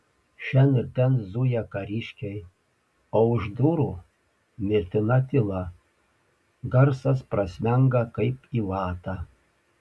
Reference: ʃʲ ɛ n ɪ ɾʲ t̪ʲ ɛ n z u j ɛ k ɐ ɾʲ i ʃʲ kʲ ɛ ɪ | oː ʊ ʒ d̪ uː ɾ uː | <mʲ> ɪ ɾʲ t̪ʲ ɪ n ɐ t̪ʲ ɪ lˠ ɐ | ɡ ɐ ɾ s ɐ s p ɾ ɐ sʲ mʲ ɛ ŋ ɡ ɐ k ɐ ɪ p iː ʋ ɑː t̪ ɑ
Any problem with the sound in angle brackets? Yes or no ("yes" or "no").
no